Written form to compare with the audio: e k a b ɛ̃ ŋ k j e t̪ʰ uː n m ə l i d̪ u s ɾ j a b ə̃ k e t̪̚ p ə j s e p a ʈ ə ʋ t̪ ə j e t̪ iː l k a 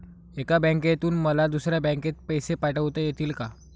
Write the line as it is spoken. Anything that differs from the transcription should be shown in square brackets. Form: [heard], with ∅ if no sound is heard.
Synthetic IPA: e k a b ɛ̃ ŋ k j e [t̪] uː n m ə l [a] d̪ u s ɾ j a b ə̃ k e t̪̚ p ə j s e p a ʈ ə ʋ t̪ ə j e t̪ iː l k a